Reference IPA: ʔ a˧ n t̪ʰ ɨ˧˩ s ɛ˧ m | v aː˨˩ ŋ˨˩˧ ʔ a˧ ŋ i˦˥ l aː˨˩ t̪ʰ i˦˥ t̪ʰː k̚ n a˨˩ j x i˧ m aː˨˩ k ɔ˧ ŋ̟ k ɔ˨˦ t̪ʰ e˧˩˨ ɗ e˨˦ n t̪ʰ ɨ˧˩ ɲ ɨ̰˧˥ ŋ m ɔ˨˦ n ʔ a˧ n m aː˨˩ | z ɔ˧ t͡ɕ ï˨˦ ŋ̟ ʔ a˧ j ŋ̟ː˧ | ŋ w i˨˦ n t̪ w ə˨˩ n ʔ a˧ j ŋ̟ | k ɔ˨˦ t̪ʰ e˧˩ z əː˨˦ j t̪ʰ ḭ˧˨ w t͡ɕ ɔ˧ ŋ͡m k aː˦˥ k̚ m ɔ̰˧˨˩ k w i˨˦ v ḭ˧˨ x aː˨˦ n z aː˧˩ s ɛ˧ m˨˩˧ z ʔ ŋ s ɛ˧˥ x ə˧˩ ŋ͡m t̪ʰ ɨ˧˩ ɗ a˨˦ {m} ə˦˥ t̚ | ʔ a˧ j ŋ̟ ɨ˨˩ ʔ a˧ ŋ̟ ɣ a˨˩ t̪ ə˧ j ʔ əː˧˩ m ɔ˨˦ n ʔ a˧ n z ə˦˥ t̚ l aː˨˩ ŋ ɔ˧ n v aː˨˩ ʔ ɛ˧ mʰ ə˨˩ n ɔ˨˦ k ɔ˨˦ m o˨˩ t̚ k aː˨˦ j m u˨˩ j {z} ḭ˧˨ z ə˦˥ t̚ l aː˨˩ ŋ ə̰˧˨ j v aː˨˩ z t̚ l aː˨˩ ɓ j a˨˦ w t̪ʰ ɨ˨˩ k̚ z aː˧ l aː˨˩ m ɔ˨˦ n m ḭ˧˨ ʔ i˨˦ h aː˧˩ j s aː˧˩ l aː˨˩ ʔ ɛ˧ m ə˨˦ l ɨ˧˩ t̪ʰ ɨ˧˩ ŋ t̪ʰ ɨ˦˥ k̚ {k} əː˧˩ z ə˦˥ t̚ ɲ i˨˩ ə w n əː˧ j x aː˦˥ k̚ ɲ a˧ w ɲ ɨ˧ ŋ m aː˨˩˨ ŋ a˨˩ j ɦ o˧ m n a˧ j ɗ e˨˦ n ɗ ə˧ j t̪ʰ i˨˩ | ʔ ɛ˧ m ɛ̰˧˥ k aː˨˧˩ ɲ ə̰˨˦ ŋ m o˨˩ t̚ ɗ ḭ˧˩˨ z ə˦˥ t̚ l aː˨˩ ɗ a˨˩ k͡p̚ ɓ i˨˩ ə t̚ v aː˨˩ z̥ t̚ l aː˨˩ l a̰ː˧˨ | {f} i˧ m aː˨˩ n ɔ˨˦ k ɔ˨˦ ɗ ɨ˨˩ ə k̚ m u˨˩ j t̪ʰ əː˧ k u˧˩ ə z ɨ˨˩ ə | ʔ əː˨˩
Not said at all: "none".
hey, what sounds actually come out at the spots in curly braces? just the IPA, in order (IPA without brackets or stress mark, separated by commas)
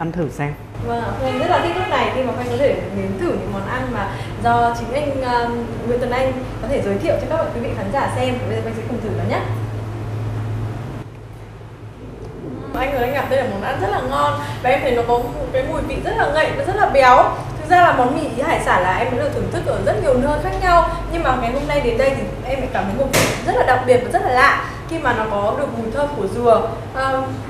ɲ, v, ʔ, x